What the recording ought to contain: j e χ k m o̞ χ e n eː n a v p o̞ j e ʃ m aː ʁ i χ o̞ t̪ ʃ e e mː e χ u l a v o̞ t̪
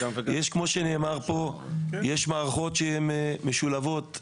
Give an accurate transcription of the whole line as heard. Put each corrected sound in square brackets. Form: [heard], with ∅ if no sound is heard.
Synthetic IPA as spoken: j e [ʃ] k m o̞ [ʃ] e n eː [m] a [ʁ] p o̞ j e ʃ m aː ʁ [a] χ o̞ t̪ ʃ e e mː e [ʃ] u l a v o̞ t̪

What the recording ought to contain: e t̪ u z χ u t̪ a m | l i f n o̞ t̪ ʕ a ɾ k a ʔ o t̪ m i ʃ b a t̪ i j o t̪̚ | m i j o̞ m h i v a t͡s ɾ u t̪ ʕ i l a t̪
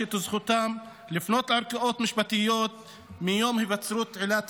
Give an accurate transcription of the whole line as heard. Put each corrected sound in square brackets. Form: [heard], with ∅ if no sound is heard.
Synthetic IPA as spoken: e t̪ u z χ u t̪ a m | l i f n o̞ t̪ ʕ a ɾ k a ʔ o t̪ m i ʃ b a t̪ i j o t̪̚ | m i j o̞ m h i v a t͡s ɾ u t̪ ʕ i l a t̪

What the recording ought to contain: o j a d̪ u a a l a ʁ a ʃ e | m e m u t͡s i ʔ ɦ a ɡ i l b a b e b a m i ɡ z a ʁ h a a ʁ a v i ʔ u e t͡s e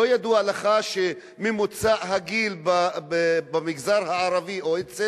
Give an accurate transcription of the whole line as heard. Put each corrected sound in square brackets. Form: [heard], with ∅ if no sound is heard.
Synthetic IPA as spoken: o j a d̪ u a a l a [χ] a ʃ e | m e m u t͡s [a] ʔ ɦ a ɡ i l b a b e b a m i ɡ z a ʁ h a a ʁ a v i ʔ [o] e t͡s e

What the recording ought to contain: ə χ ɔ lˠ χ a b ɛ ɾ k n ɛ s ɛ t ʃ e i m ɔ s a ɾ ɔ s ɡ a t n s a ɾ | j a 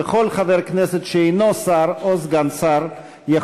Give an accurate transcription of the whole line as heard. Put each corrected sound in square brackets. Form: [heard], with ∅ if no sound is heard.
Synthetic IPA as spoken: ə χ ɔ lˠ χ a [v] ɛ ɾ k n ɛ s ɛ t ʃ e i [n] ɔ s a ɾ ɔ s ɡ a [∅] n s a ɾ | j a

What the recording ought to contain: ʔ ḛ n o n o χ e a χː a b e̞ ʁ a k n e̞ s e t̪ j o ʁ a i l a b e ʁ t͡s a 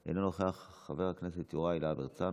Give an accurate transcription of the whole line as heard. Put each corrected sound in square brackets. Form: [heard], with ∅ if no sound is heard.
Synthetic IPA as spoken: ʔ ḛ n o n o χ e a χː a [v] e̞ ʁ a k n e̞ s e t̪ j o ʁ a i l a b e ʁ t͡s a

